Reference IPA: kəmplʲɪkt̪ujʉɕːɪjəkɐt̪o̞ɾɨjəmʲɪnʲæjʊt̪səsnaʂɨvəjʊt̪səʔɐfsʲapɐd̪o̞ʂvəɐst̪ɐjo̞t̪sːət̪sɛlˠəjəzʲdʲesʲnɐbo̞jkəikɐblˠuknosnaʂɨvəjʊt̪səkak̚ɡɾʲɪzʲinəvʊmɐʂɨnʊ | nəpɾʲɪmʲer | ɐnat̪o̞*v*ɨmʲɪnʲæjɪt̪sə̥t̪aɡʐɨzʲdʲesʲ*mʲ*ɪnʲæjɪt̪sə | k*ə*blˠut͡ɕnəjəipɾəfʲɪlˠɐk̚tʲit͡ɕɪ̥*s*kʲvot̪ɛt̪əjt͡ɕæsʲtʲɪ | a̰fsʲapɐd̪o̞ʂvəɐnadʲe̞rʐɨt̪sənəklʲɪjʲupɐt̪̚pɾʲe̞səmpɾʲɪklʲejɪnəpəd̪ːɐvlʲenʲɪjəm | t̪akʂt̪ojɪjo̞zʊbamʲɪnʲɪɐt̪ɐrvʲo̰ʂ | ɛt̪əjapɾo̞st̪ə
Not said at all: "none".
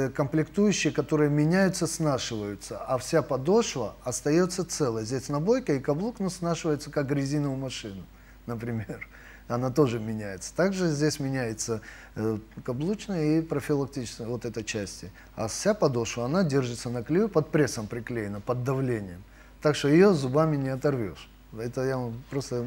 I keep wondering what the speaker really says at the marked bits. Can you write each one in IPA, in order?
ʐ, mʲ, ɐ, s

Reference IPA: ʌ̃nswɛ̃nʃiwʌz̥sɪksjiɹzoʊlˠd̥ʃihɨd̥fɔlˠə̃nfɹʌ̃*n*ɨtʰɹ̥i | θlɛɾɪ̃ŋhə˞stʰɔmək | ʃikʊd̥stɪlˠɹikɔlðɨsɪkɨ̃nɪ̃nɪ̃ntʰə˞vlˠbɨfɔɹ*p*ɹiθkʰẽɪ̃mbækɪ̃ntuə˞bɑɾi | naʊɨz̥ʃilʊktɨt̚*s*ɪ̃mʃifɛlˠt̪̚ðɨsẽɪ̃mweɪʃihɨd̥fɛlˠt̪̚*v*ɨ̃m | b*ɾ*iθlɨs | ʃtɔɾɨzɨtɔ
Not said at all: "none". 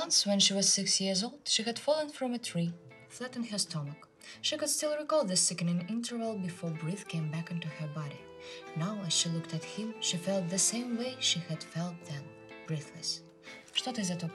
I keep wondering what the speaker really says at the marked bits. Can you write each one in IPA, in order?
m, b, h, ð, ɹ

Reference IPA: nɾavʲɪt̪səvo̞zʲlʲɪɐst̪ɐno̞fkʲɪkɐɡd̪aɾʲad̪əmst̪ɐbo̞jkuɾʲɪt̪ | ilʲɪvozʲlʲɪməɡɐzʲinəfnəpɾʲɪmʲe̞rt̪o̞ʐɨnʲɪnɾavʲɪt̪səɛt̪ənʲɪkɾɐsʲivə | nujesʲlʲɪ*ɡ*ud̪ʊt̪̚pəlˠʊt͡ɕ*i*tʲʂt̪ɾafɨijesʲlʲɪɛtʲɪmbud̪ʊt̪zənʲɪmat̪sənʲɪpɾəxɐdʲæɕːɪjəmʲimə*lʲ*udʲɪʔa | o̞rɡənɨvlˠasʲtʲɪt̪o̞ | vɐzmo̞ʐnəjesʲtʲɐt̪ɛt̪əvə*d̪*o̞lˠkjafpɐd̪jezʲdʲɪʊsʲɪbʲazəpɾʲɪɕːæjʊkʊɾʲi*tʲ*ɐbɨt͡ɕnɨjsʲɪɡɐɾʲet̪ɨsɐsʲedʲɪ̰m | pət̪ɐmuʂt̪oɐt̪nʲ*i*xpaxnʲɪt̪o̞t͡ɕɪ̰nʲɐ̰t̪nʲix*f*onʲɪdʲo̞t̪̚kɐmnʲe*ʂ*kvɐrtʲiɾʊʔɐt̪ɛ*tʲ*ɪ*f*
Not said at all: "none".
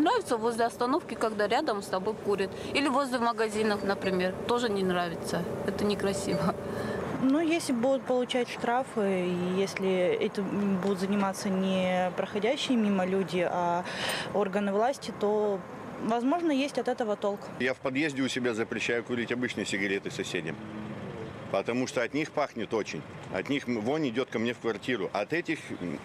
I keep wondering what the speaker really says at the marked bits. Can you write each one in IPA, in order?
b, æ, lʲ, t̪, tʲ, i, v, f, tʲ, x

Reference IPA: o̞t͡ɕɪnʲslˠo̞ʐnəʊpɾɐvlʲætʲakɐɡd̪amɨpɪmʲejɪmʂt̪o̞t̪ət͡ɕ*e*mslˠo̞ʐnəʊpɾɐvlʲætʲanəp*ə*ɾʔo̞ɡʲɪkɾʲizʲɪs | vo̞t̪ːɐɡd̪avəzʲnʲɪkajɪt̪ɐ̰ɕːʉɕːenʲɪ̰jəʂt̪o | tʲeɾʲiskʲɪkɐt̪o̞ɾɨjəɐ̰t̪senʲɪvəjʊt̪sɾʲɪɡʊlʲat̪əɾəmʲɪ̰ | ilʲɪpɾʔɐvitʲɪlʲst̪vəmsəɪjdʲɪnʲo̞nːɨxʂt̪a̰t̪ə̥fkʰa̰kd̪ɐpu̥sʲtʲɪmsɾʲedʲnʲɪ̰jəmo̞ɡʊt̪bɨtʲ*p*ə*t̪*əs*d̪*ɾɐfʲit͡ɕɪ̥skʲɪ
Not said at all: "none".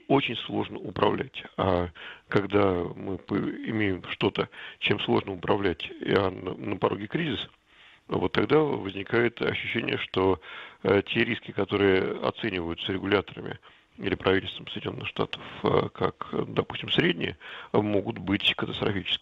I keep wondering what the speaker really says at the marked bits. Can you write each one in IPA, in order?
e, ɐ, k, t̪, t̪

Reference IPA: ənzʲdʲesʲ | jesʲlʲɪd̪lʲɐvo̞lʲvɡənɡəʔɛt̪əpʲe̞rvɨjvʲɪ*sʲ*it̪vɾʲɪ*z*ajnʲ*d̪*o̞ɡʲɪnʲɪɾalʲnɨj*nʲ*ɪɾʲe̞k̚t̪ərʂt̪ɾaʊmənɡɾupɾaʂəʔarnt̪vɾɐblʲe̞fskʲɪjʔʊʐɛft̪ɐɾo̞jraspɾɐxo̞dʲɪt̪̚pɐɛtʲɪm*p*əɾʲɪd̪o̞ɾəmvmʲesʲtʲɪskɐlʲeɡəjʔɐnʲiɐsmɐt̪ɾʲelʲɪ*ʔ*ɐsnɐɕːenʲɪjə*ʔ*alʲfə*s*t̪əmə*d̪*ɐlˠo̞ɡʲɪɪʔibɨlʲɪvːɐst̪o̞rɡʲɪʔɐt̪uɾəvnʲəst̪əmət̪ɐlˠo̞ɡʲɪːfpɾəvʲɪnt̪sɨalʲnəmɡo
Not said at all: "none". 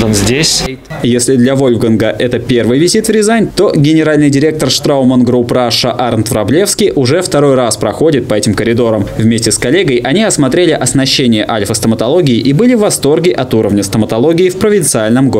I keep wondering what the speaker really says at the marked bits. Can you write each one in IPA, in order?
zʲ, z, t̪, dʲ, k, ʔ, ʔ, s, t̪

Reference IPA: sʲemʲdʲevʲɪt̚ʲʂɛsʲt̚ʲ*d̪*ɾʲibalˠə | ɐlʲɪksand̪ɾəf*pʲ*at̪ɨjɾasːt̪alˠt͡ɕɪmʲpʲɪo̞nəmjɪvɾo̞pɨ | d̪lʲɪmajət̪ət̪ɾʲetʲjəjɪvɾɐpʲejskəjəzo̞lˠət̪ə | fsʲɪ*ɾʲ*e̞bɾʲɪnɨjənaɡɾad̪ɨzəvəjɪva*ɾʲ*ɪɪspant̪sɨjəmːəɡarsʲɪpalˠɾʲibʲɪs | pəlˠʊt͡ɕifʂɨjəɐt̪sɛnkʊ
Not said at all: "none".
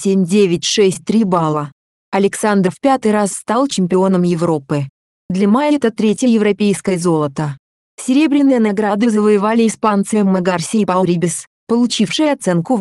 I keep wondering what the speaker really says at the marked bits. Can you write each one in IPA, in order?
t̪, pʲ, ɾʲ, lʲ

